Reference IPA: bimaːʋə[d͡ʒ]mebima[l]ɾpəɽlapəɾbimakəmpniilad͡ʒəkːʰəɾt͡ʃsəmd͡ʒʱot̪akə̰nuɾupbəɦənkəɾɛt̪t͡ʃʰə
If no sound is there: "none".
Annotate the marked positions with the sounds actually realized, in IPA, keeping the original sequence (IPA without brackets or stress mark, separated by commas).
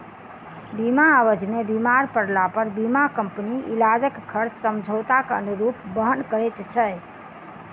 d͡ʒ, none